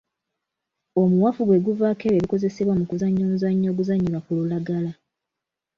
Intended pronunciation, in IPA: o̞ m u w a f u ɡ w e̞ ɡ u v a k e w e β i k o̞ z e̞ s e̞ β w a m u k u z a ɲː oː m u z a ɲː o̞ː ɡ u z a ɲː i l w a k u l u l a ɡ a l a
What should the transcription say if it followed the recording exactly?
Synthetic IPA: o̞ m u w a f u ɡ w e̞ ɡ u v a k e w e β i k o̞ z e̞ s e̞ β w a m u k u z a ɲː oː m u z a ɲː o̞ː ɡ u z a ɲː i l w a k u l u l a ɡ a l a